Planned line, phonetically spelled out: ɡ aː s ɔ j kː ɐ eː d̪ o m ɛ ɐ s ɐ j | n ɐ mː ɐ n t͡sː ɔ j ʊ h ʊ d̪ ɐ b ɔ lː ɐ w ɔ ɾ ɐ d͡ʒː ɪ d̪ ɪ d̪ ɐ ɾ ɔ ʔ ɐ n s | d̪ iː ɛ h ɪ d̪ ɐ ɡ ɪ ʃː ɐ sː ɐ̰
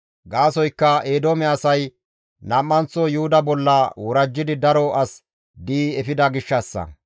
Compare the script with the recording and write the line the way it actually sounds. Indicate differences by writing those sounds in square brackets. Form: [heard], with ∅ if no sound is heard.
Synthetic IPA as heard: ɡ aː s ɔ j kː ɐ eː d̪ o m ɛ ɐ s ɐ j | n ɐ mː ɐ n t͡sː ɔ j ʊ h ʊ d̪ ɐ b ɔ lː ɐ w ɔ ɾ ɐ d͡ʒː ɪ d̪ ɪ d̪ ɐ ɾ ɔ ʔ ɐ [∅] s | d̪ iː ɛ [f] ɪ d̪ ɐ ɡ ɪ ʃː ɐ sː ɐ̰